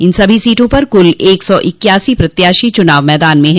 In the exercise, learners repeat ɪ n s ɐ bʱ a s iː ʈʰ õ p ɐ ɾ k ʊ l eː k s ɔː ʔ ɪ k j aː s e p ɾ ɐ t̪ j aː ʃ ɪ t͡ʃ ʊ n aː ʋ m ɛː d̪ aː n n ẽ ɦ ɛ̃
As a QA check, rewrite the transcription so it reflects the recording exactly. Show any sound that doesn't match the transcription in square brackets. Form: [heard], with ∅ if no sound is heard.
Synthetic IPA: ɪ n s ɐ bʱ [i] s iː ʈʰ õ p ɐ ɾ k ʊ l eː k s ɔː ʔ ɪ k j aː s [i] p ɾ ɐ t̪ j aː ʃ [i] t͡ʃ ʊ n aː ʋ m ɛː d̪ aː n [m] ẽ ɦ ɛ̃